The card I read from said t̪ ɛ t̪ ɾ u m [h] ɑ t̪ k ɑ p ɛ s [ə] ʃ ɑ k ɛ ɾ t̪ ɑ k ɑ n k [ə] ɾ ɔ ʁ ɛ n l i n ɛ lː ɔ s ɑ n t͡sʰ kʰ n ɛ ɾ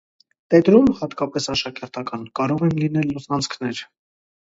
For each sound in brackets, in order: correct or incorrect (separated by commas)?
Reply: correct, incorrect, incorrect